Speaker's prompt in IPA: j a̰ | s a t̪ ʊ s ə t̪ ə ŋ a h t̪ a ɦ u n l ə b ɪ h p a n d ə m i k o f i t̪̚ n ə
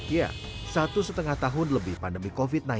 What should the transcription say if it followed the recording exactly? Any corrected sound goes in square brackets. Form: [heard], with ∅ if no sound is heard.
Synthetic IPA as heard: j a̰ | s a t̪ [u] s ə t̪ ə ŋ a h t̪ a ɦ [ʊ] n l ə b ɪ h p a n d ə m i k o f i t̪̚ n [a]